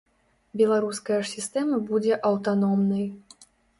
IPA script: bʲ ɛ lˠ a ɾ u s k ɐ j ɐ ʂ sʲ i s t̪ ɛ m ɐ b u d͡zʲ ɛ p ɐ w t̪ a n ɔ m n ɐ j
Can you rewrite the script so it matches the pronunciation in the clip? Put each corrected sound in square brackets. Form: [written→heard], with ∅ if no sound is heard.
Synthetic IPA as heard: bʲ ɛ lˠ a ɾ u s k ɐ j ɐ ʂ sʲ i s t̪ ɛ m ɐ b u d͡zʲ ɛ [p→ʔ] ɐ w t̪ a n ɔ m n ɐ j